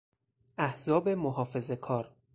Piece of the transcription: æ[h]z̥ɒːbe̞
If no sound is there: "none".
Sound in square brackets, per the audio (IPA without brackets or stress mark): h